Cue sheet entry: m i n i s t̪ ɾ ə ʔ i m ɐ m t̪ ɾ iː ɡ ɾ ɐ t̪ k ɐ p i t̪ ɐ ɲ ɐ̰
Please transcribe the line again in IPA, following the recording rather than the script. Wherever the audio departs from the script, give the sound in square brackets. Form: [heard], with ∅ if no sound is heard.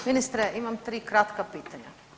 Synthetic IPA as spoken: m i n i s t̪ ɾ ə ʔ i m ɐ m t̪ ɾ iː [k] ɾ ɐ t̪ k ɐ p i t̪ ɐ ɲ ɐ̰